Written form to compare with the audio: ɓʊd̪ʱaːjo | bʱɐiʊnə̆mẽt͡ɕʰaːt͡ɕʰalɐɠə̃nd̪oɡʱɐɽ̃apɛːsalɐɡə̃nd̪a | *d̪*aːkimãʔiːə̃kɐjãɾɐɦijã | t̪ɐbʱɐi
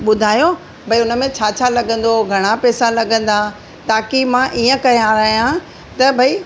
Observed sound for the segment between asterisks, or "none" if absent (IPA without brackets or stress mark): t̪